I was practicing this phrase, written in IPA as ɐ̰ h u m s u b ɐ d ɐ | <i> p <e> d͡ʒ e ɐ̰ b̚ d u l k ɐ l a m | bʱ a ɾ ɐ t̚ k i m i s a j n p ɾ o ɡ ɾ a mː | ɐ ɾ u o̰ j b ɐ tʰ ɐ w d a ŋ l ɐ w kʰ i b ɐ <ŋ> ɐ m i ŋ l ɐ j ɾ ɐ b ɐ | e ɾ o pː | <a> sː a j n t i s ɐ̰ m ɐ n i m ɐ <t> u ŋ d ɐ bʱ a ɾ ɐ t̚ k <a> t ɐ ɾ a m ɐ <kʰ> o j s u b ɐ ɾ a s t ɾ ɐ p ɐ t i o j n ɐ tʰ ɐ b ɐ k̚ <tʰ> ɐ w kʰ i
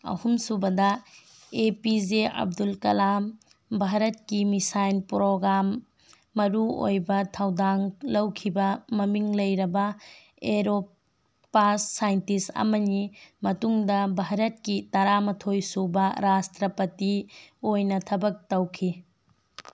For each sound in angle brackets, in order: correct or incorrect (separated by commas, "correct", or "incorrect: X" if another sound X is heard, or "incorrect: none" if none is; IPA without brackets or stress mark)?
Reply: incorrect: e, incorrect: i, incorrect: m, correct, correct, incorrect: i, incorrect: tʰ, incorrect: t